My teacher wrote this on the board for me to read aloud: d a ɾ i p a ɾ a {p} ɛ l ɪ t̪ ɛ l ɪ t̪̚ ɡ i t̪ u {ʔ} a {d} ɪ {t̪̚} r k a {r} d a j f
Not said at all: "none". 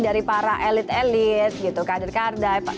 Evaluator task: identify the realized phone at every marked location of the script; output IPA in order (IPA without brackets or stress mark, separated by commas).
ʔ, k, d, none, r